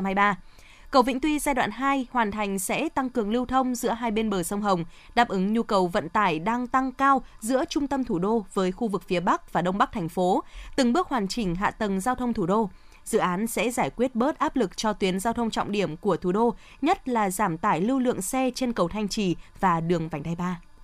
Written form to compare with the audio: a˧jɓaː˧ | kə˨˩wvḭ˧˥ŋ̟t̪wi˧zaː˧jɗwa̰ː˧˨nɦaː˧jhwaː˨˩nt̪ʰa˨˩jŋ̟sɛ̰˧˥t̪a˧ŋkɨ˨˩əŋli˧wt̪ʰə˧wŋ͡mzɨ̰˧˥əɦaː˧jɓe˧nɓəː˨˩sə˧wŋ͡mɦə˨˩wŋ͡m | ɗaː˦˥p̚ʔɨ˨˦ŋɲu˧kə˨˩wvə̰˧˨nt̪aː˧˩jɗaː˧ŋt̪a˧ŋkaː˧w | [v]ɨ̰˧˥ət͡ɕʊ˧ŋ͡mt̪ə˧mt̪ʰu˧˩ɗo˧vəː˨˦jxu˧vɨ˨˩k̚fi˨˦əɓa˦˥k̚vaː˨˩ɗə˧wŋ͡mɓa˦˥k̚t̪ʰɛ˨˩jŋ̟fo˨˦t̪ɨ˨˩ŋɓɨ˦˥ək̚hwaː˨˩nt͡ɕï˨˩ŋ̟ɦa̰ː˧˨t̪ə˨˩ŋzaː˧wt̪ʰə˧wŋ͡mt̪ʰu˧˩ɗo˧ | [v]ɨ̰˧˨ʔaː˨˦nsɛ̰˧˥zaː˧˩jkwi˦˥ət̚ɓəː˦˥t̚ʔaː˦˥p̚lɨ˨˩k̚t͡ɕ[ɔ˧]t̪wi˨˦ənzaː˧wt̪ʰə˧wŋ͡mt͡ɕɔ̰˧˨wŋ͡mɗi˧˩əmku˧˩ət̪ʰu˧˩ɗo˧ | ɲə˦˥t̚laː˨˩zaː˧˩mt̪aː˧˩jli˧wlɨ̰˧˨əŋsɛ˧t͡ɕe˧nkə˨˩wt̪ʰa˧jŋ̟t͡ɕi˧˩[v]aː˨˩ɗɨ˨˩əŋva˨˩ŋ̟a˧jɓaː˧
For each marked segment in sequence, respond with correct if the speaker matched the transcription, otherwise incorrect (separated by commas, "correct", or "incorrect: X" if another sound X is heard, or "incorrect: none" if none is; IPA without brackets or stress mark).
incorrect: z, incorrect: z, correct, correct